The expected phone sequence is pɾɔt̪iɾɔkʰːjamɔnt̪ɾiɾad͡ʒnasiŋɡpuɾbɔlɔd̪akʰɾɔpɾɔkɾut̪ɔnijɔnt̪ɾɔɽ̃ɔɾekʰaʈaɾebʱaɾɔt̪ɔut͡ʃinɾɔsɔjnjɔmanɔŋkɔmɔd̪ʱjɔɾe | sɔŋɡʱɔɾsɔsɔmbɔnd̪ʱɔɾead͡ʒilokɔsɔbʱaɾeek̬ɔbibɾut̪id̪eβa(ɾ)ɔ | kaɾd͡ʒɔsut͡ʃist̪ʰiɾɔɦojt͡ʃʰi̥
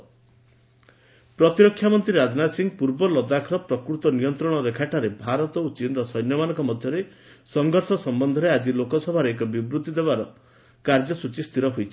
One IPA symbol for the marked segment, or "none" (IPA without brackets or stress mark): ɾ